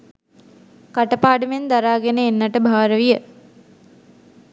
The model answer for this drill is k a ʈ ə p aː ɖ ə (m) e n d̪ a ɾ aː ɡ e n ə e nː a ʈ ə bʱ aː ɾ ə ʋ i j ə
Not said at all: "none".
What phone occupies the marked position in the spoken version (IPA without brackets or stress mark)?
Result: m